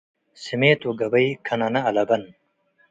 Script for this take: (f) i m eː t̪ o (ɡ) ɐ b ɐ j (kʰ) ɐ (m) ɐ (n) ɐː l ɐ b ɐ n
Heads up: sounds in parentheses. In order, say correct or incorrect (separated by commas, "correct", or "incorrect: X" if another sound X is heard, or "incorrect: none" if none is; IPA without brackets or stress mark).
incorrect: s, correct, correct, incorrect: n, correct